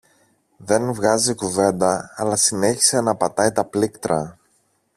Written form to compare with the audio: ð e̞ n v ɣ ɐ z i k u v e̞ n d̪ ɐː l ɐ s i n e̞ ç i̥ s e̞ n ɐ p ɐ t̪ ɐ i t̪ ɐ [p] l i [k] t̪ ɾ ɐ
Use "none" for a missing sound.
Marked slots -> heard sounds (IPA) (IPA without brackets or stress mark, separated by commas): p, k